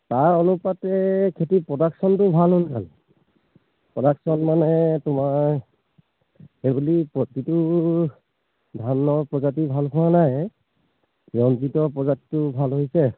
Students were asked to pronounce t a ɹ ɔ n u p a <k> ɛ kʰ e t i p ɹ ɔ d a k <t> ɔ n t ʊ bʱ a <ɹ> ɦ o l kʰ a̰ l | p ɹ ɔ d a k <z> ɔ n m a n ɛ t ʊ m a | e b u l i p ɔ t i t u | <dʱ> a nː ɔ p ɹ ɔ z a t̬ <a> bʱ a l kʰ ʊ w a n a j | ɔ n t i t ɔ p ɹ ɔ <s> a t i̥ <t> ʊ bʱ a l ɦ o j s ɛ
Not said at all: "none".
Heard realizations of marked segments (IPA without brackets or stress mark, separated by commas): t, s, l, s, dʱ, i, z, t